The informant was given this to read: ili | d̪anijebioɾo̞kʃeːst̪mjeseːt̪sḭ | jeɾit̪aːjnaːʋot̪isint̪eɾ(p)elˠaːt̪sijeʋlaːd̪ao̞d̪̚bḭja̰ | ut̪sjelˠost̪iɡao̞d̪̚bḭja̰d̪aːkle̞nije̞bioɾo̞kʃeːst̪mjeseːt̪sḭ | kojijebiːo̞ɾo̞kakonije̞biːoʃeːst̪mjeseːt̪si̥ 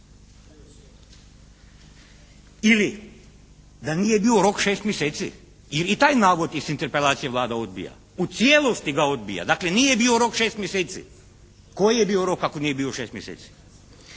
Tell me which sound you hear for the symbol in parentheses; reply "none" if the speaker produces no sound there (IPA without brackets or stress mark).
p